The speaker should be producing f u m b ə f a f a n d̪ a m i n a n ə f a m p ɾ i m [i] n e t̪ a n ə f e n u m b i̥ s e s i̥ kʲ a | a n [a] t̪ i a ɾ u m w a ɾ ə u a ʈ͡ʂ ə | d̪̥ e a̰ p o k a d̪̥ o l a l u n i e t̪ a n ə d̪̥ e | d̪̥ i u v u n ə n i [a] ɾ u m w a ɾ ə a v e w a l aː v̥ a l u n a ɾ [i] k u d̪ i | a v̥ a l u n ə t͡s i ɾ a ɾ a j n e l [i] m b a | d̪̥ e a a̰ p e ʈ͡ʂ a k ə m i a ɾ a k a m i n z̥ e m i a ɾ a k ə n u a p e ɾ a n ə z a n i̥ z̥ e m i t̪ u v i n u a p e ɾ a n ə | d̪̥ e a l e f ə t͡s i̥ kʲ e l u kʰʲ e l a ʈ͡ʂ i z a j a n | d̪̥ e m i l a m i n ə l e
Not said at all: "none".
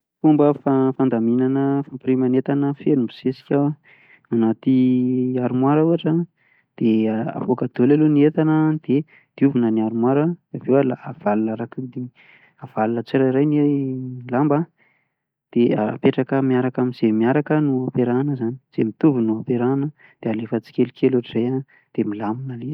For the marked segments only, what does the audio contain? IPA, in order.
a, a, a, a, a

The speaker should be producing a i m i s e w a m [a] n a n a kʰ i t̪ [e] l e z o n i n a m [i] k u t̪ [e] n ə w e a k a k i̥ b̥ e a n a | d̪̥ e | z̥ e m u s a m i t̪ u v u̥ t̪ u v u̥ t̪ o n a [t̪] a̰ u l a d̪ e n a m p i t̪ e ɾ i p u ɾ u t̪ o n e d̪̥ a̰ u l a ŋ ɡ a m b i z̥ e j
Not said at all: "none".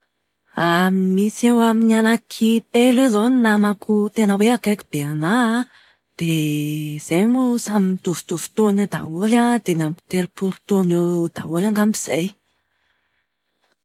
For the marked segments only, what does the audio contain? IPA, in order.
i, e, a, e, d̪

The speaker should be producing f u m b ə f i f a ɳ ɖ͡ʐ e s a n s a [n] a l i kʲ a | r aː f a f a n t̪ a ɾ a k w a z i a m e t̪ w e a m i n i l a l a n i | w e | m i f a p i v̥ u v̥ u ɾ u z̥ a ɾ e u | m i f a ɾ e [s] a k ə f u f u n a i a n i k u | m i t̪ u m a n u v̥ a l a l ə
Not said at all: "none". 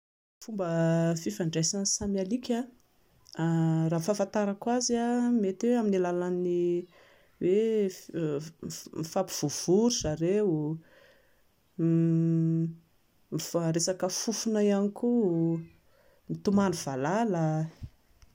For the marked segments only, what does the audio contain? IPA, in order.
m, s

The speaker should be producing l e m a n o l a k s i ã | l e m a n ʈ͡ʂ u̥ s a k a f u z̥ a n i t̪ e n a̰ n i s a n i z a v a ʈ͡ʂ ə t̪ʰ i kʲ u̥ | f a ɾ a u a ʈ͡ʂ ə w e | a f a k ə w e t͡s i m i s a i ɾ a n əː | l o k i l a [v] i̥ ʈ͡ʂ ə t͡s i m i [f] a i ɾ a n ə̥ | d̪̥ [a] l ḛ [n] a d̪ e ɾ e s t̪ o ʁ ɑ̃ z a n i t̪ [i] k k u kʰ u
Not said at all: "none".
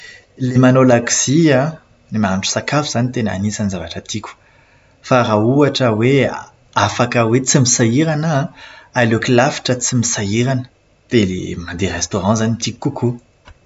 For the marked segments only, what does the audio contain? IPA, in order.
f, s, e, m, i

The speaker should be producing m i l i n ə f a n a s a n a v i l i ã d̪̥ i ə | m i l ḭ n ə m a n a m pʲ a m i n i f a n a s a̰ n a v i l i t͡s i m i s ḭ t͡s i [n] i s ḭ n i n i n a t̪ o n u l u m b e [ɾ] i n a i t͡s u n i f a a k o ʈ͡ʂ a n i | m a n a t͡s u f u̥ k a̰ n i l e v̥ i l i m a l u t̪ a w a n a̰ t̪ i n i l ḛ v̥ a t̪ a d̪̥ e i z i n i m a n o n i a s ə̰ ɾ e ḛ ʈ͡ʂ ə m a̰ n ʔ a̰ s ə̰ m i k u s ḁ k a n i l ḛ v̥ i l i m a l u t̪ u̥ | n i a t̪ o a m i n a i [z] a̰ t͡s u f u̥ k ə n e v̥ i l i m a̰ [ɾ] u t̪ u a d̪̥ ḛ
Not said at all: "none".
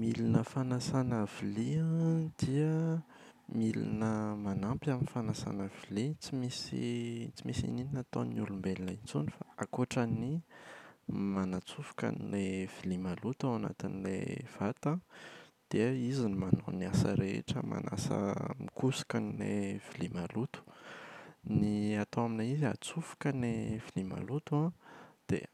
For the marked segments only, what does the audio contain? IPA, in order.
m, l, z, l

